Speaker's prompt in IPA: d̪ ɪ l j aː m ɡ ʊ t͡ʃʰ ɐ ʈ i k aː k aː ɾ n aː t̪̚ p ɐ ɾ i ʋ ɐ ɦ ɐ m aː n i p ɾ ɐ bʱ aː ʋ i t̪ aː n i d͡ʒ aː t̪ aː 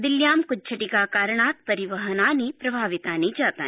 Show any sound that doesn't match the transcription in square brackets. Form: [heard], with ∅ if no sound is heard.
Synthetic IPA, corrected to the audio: d̪ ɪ l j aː m [k] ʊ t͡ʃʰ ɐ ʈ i k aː k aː ɾ [ɳ] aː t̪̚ p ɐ ɾ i ʋ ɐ ɦ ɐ [n] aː n i p ɾ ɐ bʱ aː ʋ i t̪ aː n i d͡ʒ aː t̪ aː

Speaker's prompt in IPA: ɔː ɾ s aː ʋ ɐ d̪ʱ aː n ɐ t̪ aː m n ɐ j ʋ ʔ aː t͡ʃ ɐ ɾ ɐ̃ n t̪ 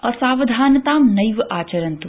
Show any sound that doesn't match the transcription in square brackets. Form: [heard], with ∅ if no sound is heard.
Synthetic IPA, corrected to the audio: ɔː ɾ s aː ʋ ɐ d̪ʱ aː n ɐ t̪ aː m n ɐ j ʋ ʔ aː t͡ʃ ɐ ɾ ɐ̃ n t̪

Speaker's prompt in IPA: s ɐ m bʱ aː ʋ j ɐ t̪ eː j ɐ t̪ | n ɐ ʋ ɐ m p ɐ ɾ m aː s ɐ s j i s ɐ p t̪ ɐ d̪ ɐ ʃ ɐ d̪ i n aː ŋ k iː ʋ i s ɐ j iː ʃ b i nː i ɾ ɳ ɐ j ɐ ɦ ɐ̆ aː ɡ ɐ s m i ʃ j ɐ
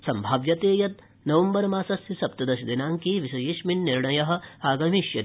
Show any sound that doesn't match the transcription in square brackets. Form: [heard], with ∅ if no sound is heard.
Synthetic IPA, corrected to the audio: s ɐ m bʱ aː ʋ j ɐ t̪ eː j ɐ t̪ | n ɐ ʋ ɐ m [b] ɐ ɾ m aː s ɐ s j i s ɐ p t̪ ɐ d̪ ɐ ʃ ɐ d̪ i n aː ŋ k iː ʋ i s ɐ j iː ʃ [m] i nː i ɾ ɳ ɐ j ɐ ɦ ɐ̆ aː ɡ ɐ [∅] m i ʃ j ɐ

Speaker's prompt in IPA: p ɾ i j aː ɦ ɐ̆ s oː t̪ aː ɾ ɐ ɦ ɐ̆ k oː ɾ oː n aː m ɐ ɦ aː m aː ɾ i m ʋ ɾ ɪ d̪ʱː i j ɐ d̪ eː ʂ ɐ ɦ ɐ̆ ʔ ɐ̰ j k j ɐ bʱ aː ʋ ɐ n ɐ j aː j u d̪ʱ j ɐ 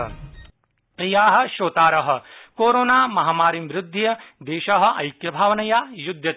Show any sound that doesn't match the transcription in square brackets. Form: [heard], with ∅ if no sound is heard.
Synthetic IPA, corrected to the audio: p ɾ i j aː ɦ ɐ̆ [ʃ] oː t̪ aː ɾ ɐ ɦ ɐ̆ k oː ɾ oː n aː m ɐ ɦ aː m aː ɾ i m ʋ ɾ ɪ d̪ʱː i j ɐ d̪ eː [ʃ] ɐ ɦ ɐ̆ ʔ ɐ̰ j k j ɐ bʱ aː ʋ ɐ n ɐ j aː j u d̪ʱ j ɐ

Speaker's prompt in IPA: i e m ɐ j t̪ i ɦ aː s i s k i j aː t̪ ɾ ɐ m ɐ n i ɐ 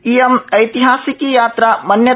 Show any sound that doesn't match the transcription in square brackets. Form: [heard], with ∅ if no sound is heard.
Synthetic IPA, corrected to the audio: i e m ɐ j t̪ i ɦ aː s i [∅] k i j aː t̪ ɾ [a] m ɐ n [j] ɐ

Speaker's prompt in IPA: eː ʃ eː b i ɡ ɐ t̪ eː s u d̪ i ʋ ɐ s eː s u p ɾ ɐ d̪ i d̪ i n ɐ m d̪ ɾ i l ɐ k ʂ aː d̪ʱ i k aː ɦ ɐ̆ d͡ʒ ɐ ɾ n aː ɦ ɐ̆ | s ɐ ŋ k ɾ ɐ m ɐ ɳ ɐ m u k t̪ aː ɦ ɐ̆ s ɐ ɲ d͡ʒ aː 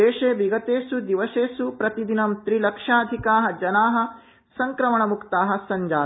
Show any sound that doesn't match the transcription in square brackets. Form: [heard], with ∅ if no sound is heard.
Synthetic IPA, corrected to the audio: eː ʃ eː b i ɡ ɐ t̪ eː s u d̪ i ʋ ɐ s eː s u p ɾ ɐ [t̪] i d̪ i n ɐ m [t̪] ɾ i l ɐ k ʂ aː d̪ʱ i k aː ɦ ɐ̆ d͡ʒ ɐ [∅] n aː ɦ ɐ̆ | s ɐ ŋ k ɾ ɐ m ɐ ɳ ɐ m u k t̪ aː ɦ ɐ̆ s ɐ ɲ d͡ʒ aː

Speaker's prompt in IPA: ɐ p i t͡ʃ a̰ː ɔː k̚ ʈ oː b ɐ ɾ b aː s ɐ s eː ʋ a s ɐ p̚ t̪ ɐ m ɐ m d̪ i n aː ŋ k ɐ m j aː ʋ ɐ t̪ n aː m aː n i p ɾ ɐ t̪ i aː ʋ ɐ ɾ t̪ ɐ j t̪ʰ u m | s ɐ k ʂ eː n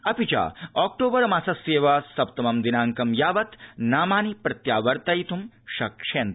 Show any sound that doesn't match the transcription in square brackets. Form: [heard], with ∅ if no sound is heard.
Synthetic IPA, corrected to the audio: ɐ p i t͡ʃ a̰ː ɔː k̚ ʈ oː b ɐ ɾ [m] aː s ɐ s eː ʋ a s ɐ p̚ t̪ ɐ m ɐ m d̪ i n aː ŋ k ɐ m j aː ʋ ɐ t̪ n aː m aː n i p ɾ ɐ t̪ [j] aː ʋ ɐ ɾ t̪ ɐ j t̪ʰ u m | [ʃ] ɐ k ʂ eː n

